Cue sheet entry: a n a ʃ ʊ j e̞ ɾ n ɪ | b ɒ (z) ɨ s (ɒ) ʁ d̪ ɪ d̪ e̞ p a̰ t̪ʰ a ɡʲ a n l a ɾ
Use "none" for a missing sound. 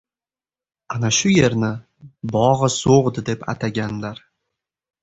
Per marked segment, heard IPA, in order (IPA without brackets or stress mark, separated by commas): ʁ, o